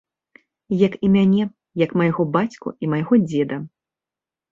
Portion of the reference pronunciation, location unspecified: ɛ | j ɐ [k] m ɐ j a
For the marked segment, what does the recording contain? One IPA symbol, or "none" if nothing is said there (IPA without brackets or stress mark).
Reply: k